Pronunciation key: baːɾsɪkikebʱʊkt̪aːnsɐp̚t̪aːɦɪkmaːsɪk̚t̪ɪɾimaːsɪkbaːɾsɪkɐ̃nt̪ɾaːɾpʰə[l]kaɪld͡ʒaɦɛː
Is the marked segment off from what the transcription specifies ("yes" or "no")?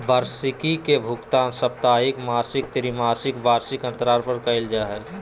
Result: yes